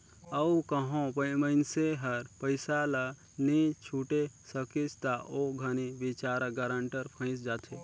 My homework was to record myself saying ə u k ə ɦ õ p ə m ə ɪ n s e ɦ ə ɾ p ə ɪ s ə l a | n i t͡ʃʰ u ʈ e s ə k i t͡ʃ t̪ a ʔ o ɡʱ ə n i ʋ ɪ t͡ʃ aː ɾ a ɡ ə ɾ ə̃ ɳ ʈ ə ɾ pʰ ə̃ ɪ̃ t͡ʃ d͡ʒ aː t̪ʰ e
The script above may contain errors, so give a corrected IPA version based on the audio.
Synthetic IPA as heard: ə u k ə ɦ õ p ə m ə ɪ n s e ɦ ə ɾ p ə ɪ s a l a | n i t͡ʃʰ u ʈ e s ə k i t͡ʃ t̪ a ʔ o ɡʱ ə n i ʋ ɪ t͡ʃ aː ɾ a ɡ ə ɾ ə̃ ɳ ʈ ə ɾ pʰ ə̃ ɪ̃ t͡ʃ d͡ʒ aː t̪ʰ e